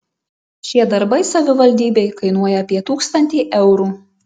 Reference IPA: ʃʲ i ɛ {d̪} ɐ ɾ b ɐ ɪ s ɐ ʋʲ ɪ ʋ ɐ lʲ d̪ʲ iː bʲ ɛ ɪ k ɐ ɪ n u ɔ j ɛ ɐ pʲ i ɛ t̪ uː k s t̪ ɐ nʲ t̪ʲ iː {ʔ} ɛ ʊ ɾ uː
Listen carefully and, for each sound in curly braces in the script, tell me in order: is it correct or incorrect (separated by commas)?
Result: correct, correct